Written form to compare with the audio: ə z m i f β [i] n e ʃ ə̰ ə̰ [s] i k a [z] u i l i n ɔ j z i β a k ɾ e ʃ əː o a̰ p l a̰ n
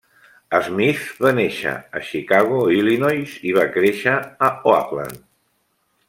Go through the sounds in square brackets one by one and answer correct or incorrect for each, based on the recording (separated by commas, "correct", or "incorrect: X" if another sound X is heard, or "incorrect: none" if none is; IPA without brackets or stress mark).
incorrect: a, incorrect: ʃ, incorrect: ɣ